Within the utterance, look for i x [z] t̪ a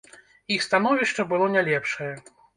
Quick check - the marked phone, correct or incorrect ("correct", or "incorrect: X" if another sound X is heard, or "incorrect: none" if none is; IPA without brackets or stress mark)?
incorrect: s